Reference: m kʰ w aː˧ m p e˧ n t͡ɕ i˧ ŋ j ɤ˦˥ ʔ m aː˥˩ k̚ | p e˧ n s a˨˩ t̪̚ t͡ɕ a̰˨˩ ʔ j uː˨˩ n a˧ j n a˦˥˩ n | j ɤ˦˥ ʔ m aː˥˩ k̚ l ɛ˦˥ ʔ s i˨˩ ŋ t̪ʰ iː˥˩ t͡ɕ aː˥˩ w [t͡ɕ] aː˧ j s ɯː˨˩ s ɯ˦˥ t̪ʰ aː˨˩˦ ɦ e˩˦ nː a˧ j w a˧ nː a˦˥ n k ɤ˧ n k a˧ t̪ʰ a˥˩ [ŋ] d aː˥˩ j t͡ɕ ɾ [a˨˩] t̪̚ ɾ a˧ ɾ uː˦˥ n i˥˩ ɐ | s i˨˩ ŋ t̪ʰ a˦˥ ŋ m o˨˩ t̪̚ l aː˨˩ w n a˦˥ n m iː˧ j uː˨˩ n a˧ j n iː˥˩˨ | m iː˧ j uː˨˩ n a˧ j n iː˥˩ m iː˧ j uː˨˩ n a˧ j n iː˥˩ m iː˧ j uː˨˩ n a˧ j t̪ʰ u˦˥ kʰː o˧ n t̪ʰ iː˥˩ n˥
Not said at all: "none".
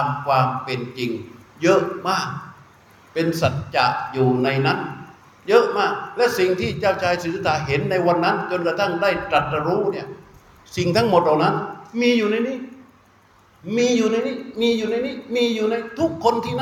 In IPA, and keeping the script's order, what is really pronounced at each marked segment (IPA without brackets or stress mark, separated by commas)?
t͡ɕʰ, ŋ, a˨˩